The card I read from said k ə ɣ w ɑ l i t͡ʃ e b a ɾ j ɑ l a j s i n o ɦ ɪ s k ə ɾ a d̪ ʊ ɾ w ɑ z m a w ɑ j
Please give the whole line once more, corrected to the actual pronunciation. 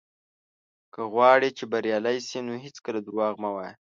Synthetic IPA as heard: k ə ɣ w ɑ ɽ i t͡ʃ e b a ɾ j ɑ l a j s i n o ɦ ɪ t͡s k ə l a d̪ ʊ ɾ w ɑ ɣ m a w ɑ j